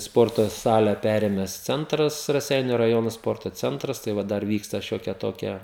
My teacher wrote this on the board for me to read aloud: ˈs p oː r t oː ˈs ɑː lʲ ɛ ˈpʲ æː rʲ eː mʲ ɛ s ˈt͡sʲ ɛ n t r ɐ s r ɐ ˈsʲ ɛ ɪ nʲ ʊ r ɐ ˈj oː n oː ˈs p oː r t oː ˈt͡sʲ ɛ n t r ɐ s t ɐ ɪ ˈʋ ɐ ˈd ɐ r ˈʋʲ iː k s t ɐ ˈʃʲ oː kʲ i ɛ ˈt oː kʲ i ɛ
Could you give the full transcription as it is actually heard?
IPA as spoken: ˈs p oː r t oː ˈs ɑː lʲ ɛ ˈpʲ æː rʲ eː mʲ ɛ s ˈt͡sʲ ɛ n t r ɐ s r ɐ ˈsʲ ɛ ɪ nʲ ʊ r ɐ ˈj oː n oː ˈs p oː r t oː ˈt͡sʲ ɛ n t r ɐ s t ɐ ɪ ˈʋ ɐ ˈd ɐ r ˈʋʲ iː k s t ɐ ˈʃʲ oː kʲ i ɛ ˈt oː kʲ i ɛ